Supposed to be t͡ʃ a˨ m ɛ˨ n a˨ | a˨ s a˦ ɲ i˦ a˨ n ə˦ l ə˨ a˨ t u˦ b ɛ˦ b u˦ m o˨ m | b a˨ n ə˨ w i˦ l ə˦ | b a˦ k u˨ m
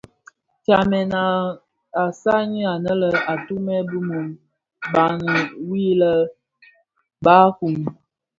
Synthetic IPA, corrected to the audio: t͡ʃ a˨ m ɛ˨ n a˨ | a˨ s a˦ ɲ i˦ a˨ n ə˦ l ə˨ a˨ t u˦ m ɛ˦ b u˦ m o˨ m | b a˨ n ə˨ w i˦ l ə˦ | b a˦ k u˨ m